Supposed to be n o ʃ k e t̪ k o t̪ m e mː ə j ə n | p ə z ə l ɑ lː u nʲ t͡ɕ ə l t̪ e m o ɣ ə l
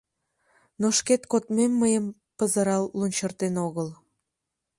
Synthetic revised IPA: n o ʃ k e t̪ k o t̪ m e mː ə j ə m | p ə z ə ɾ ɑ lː u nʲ t͡ɕ ə r t̪ e n o ɣ ə l